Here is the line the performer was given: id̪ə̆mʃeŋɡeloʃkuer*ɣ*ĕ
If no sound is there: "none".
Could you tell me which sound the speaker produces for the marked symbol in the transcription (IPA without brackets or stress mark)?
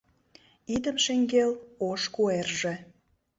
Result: ʒ